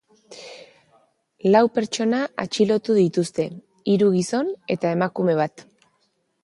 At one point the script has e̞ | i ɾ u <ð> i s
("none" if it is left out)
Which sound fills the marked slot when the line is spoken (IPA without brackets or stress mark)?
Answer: ɣ